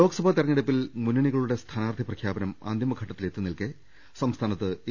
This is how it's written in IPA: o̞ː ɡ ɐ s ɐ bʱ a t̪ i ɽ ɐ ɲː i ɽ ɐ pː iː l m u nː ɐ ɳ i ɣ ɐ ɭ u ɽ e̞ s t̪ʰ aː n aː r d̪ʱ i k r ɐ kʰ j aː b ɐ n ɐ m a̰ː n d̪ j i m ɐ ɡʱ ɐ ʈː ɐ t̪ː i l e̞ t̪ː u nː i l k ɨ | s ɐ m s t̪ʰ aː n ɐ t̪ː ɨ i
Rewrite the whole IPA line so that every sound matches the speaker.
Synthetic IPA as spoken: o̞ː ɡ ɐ s ɐ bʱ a t̪ i r ɐ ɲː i ɽ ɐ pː i l m u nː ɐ ɳ i ɣ ɐ ɭ u ɽ e̞ s t̪ʰ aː n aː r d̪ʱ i p r ɐ kʰ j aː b ɐ n ɐ m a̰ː n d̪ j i m ɐ ɡʱ ɐ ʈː ɐ t̪ː i l e̞ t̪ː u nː i l k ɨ | s ɐ m s t̪ʰ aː n ɐ t̪ː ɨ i